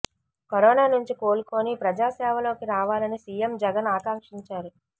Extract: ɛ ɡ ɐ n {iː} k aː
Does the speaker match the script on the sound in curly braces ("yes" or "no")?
no